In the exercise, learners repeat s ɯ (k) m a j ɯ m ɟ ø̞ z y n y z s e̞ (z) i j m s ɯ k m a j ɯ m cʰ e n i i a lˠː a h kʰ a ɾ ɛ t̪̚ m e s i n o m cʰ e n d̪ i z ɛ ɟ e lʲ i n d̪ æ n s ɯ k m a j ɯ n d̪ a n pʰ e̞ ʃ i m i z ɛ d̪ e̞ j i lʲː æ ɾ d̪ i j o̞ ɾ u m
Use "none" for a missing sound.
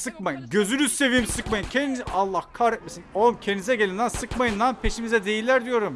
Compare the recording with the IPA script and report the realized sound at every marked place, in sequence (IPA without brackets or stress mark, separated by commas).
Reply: k, v